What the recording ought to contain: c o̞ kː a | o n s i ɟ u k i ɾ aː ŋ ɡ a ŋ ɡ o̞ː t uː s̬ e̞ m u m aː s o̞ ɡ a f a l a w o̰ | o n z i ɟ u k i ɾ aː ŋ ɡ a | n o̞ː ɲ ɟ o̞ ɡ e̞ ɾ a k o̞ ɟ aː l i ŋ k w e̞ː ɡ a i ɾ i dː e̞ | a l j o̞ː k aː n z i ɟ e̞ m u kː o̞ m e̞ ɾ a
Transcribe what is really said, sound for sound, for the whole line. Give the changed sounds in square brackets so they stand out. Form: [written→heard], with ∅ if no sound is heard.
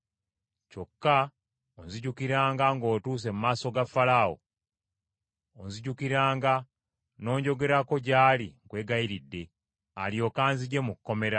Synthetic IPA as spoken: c o̞ kː a | o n [s→z] i ɟ u k i ɾ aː ŋ ɡ a ŋ ɡ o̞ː t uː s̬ e̞ m u m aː s o̞ ɡ a f a l a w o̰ | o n z i ɟ u k i ɾ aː ŋ ɡ a | n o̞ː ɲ ɟ o̞ ɡ e̞ ɾ a k o̞ ɟ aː l i ŋ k w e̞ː ɡ a i ɾ i dː e̞ | a l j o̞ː k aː n z i ɟ e̞ m u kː o̞ m e̞ ɾ a